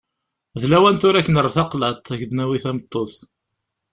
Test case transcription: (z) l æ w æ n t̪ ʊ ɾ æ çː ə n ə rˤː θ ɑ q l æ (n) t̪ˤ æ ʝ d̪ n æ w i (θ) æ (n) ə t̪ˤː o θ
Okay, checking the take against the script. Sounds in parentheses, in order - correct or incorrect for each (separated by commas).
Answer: incorrect, incorrect, correct, incorrect